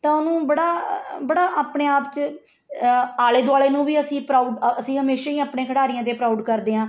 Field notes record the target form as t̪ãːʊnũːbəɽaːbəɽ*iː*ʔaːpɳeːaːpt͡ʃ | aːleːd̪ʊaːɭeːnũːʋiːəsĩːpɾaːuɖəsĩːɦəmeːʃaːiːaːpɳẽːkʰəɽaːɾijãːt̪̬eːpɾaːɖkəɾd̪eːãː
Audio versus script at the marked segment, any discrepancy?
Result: yes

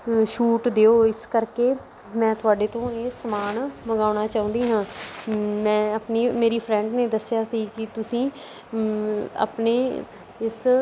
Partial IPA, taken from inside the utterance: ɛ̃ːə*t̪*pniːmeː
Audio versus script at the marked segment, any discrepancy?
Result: yes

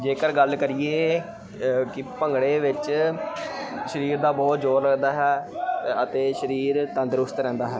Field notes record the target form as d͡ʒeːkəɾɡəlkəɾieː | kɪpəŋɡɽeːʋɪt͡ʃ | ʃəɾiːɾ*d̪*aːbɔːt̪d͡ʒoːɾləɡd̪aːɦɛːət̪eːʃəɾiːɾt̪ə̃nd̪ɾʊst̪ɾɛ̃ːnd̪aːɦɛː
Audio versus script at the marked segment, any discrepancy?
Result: no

